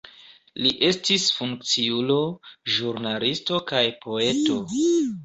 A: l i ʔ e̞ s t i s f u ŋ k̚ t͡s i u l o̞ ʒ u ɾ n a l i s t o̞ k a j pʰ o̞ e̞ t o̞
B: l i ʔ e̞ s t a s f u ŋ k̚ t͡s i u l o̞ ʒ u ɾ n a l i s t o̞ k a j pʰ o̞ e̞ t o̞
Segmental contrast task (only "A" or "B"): A